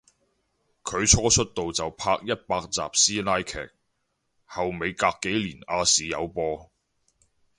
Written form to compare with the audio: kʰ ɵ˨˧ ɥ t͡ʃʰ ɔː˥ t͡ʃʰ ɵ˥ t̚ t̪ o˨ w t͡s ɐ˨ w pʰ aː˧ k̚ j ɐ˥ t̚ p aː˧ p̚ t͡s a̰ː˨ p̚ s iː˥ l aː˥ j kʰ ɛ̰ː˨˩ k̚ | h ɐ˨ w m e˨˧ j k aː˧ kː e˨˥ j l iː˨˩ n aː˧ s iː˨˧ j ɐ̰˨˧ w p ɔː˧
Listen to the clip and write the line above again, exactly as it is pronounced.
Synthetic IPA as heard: kʰ ɵ˨˧ ɥ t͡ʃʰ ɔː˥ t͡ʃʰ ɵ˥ t̚ t̪ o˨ w t͡s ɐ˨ w pʰ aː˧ k̚ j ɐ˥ t̚ p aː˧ k̚ t͡s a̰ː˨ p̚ s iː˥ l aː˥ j kʰ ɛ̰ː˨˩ k̚ | h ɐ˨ w m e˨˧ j k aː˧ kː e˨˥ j l iː˨˩ n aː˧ s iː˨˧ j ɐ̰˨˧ w p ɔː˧